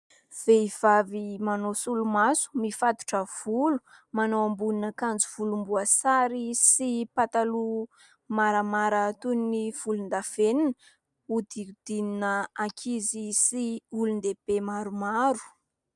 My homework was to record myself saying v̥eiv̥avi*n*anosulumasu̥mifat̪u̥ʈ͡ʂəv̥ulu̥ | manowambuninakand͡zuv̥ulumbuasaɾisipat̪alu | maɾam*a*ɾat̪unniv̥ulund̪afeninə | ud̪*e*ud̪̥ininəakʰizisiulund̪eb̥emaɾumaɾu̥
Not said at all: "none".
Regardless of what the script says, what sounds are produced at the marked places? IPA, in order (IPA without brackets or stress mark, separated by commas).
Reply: m, a, i